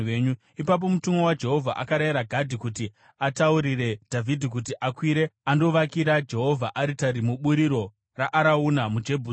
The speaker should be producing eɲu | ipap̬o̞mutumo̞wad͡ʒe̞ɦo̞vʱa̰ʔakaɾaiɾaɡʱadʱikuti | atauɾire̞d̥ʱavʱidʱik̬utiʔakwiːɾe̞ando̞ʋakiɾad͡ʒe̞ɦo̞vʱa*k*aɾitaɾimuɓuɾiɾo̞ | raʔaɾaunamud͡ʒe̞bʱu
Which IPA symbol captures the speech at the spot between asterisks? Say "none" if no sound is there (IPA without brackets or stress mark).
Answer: ʔ